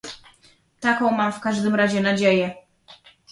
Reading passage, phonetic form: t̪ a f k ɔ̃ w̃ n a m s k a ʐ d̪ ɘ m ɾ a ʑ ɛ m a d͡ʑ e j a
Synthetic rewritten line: t̪ a k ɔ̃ w̃ m a m f k a ʐ d̪ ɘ m ɾ a ʑ ɛ n a d͡ʑ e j ɛ